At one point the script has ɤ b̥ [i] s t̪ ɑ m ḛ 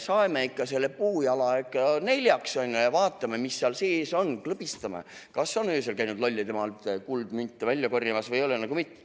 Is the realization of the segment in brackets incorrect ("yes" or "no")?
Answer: no